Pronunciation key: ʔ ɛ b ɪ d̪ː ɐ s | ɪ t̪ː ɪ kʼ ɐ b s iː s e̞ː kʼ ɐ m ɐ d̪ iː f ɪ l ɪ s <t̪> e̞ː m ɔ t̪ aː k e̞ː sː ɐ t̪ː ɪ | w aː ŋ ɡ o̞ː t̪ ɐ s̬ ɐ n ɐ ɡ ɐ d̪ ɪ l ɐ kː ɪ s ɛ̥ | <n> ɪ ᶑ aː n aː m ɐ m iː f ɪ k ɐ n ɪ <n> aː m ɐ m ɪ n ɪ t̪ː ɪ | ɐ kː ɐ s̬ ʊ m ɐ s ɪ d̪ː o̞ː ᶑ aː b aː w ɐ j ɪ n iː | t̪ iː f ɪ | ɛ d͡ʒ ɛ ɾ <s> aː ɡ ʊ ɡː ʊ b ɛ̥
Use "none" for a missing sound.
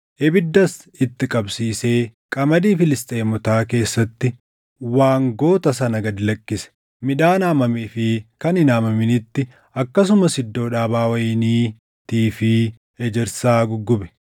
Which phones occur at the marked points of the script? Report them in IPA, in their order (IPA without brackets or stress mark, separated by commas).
t̪ʼ, m, n, s